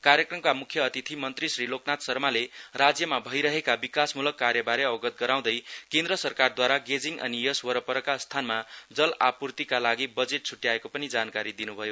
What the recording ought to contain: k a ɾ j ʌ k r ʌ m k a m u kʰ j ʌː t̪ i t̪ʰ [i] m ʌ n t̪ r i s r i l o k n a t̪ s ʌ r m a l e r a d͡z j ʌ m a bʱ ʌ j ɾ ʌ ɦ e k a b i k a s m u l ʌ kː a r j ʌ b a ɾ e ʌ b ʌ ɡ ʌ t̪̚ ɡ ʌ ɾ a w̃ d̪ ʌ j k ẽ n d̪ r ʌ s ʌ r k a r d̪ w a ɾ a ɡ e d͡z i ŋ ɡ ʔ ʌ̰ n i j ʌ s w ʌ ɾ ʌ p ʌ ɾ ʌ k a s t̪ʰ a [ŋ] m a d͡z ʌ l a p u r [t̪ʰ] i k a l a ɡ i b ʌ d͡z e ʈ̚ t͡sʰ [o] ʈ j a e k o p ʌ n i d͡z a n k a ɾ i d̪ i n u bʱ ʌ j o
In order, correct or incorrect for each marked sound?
correct, incorrect, incorrect, incorrect

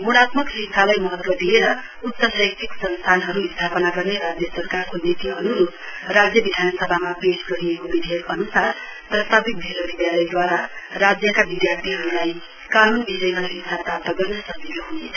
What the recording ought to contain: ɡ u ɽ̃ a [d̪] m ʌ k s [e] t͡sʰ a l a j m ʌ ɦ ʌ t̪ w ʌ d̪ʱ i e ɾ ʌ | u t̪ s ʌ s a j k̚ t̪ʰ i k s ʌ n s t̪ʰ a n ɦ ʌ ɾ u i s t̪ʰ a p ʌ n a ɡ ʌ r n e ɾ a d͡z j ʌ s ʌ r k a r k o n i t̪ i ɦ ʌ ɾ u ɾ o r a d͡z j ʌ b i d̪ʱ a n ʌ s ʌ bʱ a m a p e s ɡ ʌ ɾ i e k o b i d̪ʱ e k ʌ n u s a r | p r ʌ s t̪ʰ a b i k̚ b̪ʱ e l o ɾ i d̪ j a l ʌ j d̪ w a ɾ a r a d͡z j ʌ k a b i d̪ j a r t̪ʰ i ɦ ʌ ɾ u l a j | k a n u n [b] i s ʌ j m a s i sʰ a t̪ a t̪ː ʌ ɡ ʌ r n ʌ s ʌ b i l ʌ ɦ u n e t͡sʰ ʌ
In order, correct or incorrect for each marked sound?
incorrect, incorrect, correct

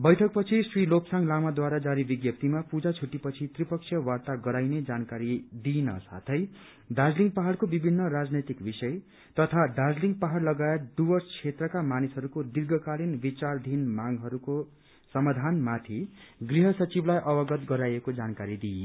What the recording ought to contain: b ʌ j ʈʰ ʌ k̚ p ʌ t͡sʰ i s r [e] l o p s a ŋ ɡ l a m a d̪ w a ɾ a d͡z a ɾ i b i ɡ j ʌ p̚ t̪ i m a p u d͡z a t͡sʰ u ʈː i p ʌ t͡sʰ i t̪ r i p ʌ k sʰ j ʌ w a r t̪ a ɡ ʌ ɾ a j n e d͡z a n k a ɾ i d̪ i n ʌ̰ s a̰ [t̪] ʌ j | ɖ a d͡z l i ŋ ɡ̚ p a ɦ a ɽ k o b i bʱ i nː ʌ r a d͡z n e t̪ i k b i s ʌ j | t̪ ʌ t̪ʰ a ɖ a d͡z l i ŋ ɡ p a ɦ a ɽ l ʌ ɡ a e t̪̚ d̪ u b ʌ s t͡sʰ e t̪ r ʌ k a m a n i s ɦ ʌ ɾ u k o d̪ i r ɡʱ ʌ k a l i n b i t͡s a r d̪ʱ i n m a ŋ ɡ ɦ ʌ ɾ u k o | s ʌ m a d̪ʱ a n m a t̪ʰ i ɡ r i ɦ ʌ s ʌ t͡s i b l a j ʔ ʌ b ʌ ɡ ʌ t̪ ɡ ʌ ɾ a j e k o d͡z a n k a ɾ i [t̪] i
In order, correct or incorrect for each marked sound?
incorrect, incorrect, incorrect

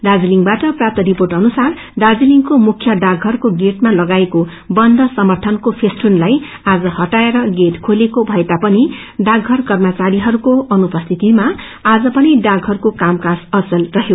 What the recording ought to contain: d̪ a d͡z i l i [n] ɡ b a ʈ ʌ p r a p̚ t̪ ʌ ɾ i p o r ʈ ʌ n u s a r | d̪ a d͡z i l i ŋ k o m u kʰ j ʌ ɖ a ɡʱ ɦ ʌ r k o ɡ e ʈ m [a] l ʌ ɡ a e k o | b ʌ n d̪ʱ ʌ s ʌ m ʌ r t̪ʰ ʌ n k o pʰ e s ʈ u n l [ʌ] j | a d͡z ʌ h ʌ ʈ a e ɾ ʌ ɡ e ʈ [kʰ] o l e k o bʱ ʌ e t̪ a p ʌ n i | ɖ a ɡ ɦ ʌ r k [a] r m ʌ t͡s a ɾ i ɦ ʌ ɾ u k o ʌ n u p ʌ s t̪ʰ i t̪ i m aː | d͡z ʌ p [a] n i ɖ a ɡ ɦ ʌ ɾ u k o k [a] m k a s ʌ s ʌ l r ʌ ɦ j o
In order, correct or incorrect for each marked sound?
incorrect, correct, incorrect, correct, incorrect, incorrect, correct

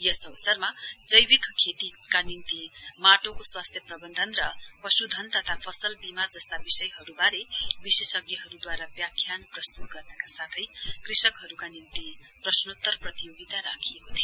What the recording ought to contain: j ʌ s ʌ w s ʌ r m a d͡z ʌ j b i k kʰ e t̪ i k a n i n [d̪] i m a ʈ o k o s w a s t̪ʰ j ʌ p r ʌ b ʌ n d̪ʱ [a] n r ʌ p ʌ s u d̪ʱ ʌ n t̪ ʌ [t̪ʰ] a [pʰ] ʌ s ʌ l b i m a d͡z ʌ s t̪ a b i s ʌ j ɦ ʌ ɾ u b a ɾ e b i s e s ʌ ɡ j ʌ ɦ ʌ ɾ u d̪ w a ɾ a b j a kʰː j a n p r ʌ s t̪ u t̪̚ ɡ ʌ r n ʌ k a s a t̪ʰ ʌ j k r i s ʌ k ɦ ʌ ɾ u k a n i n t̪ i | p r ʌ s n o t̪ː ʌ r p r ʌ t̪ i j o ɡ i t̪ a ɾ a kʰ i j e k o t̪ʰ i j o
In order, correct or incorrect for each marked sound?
incorrect, incorrect, correct, correct

